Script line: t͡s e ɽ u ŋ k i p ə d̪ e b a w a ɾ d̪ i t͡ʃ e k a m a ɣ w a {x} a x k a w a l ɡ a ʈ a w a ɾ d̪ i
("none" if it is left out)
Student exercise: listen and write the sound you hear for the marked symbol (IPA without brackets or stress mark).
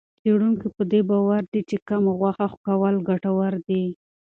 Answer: x